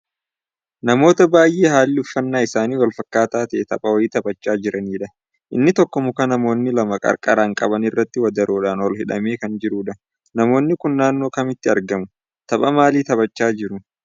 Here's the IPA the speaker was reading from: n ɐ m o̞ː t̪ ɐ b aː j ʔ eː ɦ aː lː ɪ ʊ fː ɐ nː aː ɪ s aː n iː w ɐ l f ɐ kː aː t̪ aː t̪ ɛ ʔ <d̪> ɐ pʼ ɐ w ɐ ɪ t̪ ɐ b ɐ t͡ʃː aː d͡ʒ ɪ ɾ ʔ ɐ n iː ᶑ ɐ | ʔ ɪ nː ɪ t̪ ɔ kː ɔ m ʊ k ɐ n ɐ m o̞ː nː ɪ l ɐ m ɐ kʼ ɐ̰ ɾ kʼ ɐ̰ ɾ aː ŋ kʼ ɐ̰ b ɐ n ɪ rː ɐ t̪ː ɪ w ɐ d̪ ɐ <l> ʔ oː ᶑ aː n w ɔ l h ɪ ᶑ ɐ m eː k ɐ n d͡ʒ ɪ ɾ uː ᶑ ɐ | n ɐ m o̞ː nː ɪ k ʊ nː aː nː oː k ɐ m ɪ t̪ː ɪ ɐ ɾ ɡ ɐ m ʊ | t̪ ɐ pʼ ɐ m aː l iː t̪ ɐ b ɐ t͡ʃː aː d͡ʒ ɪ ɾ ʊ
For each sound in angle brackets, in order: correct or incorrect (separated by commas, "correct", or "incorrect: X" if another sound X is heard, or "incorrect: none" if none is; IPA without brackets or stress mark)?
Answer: incorrect: t̪, incorrect: ɾ